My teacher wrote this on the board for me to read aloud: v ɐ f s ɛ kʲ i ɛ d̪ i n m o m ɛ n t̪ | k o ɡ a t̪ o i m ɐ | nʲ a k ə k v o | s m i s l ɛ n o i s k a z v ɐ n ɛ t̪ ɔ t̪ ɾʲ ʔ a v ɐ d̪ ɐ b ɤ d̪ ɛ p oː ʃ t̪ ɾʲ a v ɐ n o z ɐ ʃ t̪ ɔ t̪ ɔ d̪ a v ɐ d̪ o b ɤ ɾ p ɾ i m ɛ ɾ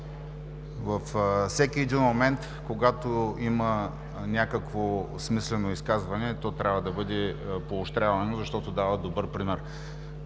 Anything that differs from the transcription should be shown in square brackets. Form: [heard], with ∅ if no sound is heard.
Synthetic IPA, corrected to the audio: v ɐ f s ɛ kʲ i ɛ d̪ i n m o m ɛ n t̪ | k o ɡ a t̪ o i m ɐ | nʲ a k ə k v o | s m i s l ɛ n o i s k a z v ɐ n ɛ t̪ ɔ t̪ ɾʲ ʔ a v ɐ d̪ ɐ b ɤ d̪ ɛ p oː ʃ t̪ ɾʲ a v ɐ n o z ɐ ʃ t̪ ɔ t̪ [o] d̪ a v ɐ d̪ o b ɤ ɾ p ɾ i m ɛ ɾ

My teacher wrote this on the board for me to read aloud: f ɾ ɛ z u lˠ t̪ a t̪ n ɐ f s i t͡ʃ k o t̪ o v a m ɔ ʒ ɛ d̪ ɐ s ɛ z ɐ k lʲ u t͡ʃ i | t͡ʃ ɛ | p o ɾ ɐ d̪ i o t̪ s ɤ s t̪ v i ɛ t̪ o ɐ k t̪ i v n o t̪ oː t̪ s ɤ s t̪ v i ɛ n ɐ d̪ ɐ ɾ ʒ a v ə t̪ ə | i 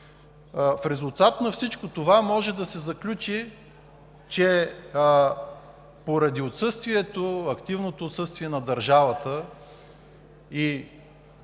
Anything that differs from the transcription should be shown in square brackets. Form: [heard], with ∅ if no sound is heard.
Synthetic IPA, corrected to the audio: f ɾ ɛ z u lˠ t̪ a t̪ n ɐ f s i t͡ʃ k o t̪ o v a m ɔ ʒ ɛ d̪ ɐ s ɛ z ɐ k lʲ u t͡ʃ i | t͡ʃ ɛ | p o ɾ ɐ d̪ i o t̪ s ɤ s t̪ v i ɛ t̪ o ɐ k t̪ i v n o t̪ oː t̪ s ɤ s t̪ v i ɛ n ɐ d̪ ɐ ɾ ʒ a v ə t̪ ə | i

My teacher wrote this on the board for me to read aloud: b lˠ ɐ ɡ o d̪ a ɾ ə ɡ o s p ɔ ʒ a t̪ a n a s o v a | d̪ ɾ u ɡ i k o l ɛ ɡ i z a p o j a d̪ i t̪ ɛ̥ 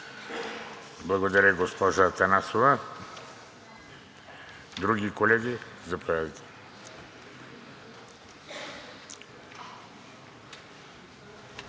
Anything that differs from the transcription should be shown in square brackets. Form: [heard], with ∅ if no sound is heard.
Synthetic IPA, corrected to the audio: b lˠ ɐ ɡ o d̪ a ɾ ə ɡ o s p ɔ ʒ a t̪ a n a s o v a | d̪ ɾ u ɡ i k o l ɛ ɡ i z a p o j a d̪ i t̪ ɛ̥

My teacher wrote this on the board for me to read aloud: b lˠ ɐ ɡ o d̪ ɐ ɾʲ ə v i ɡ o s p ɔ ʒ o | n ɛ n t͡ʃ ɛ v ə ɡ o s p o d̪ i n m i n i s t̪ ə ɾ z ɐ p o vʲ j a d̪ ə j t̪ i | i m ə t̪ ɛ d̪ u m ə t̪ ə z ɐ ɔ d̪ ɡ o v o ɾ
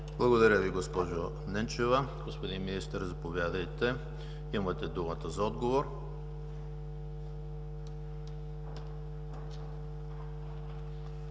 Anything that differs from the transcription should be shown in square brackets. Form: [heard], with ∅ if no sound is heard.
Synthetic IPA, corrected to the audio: b lˠ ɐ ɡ o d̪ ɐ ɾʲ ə v i ɡ o s p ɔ ʒ o | n ɛ n t͡ʃ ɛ v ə ɡ o s p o d̪ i n m i n i s t̪ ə ɾ z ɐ p o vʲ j a d̪ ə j t̪ [ɛ] | i m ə t̪ ɛ d̪ u m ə t̪ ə z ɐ ɔ d̪ ɡ o v o ɾ

